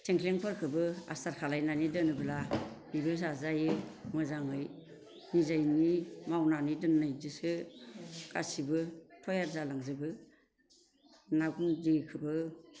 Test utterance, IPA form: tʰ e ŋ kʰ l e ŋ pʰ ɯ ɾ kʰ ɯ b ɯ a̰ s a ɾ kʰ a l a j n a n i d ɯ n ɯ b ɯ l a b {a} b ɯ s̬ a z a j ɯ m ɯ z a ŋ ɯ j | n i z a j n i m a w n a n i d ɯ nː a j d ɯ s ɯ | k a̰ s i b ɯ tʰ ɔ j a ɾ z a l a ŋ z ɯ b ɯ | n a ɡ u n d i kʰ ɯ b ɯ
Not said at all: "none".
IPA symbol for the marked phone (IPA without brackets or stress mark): i